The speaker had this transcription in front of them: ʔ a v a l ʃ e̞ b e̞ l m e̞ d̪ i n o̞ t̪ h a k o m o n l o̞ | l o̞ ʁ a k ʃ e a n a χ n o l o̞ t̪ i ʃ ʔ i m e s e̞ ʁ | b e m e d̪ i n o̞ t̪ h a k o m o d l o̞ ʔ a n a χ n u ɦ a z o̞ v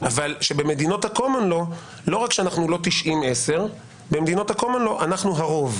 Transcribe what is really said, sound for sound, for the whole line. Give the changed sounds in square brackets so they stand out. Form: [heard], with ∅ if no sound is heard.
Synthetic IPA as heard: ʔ a v a l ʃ e̞ b e̞ [∅] m e̞ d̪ i n o̞ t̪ h a k o m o n l o̞ | l o̞ ʁ a k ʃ e a n a χ n [u] l o̞ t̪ i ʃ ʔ i m e s e̞ ʁ | b e m e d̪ i n o̞ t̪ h a k o m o [n] l o̞ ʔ a n a χ n u ɦ a [ʁ] o̞ v